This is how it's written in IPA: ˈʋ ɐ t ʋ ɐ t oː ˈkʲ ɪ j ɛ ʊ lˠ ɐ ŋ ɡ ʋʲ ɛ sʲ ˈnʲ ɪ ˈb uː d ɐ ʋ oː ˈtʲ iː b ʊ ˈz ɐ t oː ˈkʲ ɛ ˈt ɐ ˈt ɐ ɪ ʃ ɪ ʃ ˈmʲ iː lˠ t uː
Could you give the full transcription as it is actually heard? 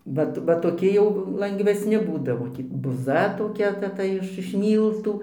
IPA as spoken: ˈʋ ɐ t ʋ ɐ t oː ˈkʲ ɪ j ɛ ʊ lˠ ɐ ŋ ɡ ʋʲ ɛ sʲ ˈnʲ ɪ ˈb uː d ɐ ʋ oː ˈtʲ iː b ʊ ˈz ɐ t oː ˈkʲ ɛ ˈt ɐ ˈt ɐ ɪ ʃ ɪ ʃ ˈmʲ iː lˠ t uː